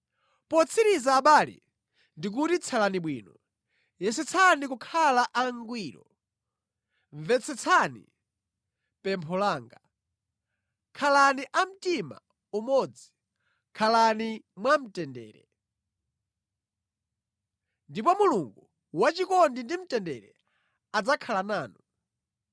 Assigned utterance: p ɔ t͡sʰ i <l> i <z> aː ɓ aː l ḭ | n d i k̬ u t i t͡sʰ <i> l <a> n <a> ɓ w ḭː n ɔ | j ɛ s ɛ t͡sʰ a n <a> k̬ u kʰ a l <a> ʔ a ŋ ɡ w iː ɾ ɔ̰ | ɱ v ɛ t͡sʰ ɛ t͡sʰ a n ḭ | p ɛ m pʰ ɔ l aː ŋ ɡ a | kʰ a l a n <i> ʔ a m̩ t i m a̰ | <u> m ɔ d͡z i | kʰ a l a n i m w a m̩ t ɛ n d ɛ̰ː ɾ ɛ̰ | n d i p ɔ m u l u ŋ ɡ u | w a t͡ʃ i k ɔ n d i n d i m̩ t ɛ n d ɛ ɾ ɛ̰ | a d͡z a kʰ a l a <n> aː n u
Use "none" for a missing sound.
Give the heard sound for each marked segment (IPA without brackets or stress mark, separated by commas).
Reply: ɾ, z, a, a, i, i, a, i, u, n